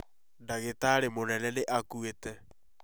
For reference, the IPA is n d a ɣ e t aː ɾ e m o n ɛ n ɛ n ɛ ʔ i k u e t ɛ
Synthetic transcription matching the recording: n d a ɣ e t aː ɾ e m o n ɛ n ɛ n e ʔ a k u e t ɛ